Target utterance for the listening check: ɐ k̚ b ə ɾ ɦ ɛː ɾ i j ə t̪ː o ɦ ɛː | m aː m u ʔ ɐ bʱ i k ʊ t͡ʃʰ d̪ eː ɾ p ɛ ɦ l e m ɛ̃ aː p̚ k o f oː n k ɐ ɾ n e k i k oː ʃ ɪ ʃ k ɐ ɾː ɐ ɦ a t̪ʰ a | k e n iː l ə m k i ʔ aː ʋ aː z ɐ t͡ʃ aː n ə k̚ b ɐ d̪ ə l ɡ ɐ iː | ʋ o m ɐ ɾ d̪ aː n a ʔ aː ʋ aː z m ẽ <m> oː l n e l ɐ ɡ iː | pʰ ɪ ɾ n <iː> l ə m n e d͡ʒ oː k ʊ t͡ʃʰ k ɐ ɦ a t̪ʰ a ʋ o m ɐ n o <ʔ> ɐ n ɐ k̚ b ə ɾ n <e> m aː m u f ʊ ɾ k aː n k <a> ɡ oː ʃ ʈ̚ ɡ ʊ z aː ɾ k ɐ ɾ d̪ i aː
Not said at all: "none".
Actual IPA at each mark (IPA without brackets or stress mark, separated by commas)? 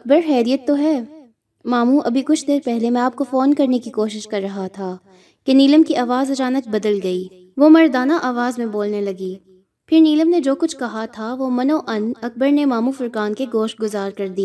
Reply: b, iː, ʔ, e, e